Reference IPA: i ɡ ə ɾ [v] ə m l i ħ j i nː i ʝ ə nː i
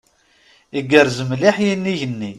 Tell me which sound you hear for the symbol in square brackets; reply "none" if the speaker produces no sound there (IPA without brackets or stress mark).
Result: z